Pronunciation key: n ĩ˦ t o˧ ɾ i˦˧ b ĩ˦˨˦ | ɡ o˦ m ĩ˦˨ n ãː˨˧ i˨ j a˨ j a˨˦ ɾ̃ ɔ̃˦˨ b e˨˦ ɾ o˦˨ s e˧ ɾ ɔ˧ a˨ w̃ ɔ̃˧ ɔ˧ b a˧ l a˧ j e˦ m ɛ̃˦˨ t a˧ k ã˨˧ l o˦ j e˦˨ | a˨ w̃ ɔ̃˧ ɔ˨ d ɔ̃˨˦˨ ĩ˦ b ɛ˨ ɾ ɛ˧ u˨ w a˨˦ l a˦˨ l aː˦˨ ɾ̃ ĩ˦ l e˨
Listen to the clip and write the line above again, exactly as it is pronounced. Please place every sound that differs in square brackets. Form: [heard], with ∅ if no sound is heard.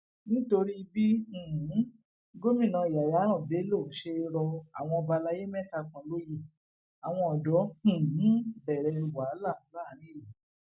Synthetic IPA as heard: n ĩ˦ t o˧ ɾ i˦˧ b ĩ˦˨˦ | ɡ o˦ m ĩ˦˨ n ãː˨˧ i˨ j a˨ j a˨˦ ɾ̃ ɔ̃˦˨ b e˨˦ [l] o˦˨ [ʃ] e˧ ɾ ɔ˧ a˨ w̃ ɔ̃˧ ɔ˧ b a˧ l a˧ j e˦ m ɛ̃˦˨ t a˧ k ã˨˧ l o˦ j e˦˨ | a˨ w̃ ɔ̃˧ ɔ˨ d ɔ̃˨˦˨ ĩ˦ b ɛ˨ ɾ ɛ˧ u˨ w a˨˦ l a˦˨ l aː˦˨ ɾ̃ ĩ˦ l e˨